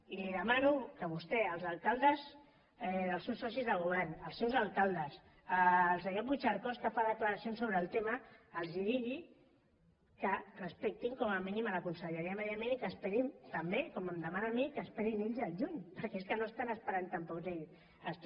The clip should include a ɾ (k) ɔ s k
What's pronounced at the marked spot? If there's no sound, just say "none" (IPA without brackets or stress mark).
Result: k